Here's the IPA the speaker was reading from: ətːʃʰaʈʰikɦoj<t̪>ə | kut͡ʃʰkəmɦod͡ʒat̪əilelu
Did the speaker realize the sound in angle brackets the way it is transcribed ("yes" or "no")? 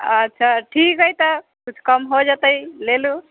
yes